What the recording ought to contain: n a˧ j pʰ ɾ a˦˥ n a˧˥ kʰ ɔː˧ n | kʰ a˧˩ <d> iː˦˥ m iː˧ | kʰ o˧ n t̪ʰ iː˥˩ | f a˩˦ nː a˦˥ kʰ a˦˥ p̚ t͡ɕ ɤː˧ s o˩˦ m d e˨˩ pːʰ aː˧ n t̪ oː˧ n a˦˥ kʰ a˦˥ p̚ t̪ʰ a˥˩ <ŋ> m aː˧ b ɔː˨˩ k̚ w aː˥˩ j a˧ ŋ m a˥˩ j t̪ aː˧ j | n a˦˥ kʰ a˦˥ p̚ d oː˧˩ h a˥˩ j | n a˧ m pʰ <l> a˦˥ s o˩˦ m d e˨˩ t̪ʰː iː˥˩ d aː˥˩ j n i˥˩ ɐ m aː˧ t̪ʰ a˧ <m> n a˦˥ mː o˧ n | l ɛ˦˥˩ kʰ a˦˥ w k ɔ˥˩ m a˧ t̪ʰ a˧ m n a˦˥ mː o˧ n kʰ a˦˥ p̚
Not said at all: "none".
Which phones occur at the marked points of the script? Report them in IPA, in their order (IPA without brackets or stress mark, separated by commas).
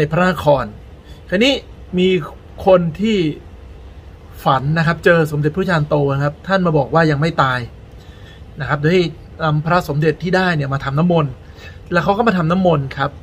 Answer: n, n, ɾ, m